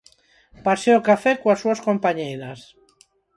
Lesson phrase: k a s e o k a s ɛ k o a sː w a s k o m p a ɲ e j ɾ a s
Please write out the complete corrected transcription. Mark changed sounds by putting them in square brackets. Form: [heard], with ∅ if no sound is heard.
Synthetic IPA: [p] a s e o k a [f] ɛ k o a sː [u] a s k o m p a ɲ e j ɾ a s